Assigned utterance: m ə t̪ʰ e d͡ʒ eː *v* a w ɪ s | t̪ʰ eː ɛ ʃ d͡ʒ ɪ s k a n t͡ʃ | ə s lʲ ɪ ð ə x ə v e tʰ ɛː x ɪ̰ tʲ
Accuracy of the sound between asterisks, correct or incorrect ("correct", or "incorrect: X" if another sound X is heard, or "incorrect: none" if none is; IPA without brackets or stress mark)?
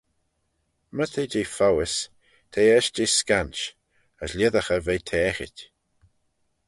incorrect: f